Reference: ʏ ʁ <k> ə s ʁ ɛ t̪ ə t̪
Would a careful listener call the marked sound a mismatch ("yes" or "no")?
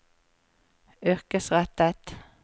no